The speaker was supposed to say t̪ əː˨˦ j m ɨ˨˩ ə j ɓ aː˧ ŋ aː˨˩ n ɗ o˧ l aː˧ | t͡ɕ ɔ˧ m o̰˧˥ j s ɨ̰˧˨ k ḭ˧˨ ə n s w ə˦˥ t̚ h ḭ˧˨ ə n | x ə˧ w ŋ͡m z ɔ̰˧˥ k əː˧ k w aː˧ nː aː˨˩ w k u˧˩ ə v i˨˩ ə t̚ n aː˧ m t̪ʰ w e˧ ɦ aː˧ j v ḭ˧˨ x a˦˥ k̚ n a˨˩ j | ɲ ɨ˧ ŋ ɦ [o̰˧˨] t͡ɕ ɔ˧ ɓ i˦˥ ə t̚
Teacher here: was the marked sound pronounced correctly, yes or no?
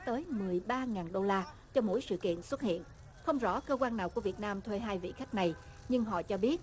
no